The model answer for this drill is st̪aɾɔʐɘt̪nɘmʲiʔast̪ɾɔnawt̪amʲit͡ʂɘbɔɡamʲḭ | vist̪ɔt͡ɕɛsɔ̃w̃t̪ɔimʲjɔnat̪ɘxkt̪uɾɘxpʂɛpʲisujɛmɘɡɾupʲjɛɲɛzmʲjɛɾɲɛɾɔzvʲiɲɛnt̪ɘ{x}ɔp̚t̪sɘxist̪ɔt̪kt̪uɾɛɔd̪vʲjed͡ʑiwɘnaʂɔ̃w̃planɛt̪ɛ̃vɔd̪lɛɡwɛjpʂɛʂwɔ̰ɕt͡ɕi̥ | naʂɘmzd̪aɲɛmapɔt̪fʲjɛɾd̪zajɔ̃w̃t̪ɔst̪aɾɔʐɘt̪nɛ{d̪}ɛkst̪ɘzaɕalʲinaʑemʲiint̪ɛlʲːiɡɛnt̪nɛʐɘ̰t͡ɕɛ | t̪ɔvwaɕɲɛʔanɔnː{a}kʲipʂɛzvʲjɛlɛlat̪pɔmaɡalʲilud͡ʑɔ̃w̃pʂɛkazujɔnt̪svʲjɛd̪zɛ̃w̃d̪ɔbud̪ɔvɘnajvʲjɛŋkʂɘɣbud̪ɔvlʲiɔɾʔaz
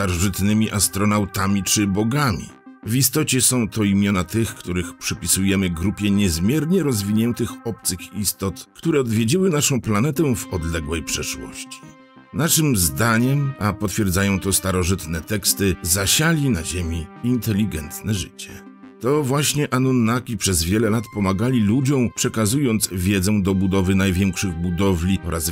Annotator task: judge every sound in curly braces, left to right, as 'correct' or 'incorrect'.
correct, incorrect: t̪, correct

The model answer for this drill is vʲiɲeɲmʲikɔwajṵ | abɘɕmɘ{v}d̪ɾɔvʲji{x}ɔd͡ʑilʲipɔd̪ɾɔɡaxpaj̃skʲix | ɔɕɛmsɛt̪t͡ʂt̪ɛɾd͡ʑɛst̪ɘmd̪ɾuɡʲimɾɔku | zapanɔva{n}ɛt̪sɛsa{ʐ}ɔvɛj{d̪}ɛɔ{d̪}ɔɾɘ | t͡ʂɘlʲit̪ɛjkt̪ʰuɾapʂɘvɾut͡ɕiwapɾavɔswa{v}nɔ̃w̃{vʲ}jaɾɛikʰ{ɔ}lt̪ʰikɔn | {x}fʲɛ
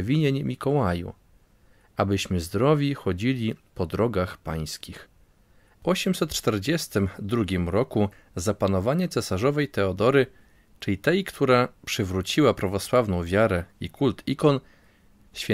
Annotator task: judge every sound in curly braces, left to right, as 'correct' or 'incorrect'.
incorrect: z, correct, incorrect: ɲ, correct, incorrect: t̪, correct, correct, correct, incorrect: u, incorrect: ɕ

